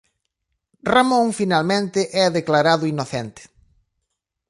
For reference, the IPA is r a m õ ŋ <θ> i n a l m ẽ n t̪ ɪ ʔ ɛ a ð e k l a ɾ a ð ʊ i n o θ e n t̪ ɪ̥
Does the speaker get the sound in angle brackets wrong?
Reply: yes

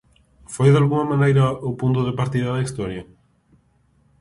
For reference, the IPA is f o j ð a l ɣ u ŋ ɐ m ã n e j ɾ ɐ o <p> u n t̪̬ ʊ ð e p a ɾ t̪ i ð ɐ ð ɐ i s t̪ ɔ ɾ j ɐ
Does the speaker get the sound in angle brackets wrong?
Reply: no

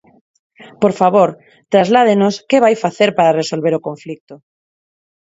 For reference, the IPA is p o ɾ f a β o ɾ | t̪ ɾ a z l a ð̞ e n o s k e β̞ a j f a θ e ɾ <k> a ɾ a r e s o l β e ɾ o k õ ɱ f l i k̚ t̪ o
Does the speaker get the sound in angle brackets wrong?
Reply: yes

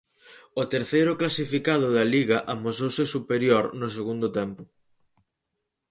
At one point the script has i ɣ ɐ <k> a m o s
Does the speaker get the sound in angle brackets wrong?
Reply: yes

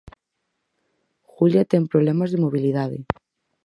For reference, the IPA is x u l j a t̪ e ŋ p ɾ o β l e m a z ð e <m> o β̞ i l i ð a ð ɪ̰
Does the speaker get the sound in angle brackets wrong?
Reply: no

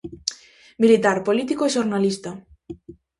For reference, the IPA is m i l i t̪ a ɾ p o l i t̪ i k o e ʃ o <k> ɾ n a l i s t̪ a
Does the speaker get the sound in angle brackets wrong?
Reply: yes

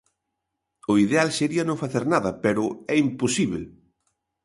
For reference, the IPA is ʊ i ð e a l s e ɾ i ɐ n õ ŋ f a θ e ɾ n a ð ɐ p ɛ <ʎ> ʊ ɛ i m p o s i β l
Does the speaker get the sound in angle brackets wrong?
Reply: yes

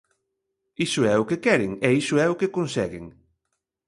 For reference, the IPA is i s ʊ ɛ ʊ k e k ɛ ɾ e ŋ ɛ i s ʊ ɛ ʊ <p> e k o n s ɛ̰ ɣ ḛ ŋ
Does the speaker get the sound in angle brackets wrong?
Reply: yes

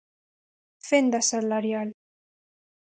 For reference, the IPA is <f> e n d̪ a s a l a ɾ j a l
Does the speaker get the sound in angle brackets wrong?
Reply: no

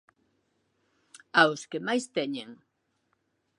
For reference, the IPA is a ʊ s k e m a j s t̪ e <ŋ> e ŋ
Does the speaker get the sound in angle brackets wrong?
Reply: yes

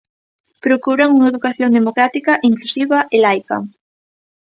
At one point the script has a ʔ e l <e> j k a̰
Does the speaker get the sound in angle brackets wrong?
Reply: yes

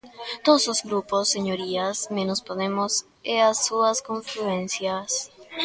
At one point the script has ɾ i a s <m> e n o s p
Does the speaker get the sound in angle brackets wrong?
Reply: no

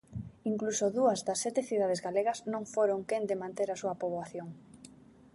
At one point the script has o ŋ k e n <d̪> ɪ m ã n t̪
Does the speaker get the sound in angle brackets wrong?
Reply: no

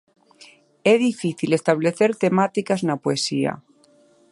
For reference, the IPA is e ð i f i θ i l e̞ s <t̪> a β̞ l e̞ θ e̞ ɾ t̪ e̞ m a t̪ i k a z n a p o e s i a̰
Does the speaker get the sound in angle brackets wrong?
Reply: no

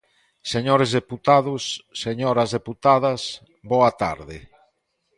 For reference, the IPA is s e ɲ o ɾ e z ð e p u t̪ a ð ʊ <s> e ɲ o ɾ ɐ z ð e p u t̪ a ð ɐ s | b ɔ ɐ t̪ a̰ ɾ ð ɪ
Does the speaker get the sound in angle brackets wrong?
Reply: yes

